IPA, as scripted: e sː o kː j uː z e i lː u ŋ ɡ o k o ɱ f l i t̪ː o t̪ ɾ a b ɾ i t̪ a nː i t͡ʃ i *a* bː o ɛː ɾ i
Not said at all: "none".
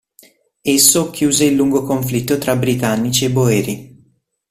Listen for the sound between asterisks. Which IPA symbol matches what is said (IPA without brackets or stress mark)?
e